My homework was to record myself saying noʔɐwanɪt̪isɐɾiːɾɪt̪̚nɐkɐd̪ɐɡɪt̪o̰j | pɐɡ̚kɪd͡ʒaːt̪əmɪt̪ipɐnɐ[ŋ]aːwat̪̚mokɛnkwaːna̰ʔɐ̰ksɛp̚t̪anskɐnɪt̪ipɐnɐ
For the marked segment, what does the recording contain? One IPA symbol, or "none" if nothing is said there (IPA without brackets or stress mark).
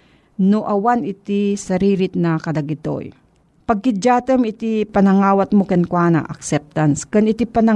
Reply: ŋ